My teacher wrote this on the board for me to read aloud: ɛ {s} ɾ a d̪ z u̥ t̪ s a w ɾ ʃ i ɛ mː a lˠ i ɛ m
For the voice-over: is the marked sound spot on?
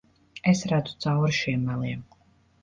yes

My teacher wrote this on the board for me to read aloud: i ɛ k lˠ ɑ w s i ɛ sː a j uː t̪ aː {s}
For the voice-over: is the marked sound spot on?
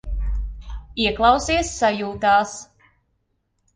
yes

